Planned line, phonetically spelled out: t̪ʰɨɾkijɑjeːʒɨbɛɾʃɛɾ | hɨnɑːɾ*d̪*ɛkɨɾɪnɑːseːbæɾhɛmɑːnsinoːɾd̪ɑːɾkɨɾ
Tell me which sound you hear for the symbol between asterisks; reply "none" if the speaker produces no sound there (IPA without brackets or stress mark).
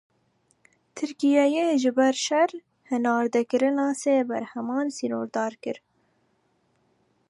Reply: d̪